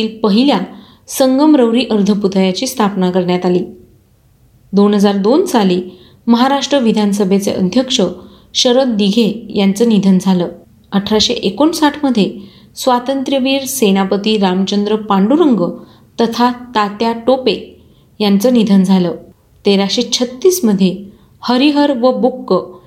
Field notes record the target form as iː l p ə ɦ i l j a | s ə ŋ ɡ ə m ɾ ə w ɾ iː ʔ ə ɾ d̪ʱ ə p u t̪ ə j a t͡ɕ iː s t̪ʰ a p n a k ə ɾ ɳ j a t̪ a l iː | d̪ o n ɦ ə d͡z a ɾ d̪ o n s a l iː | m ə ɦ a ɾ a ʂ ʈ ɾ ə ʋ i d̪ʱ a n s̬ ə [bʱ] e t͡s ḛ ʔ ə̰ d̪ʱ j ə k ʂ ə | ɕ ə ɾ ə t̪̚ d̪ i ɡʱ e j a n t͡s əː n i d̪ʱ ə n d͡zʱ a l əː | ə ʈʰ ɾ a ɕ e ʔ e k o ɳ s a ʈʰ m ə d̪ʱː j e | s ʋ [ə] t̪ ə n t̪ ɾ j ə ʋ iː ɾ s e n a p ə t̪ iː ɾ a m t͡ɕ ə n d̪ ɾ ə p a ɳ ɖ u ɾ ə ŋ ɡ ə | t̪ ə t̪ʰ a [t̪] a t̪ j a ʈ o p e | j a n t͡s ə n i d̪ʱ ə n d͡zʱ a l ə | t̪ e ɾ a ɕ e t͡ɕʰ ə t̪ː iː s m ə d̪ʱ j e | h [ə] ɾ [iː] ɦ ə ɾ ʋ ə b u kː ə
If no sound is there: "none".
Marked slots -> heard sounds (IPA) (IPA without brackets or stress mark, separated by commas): bʱ, a, t̪, ə, i